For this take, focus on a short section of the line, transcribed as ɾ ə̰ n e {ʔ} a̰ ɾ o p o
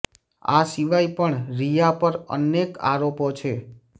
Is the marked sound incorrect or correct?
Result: incorrect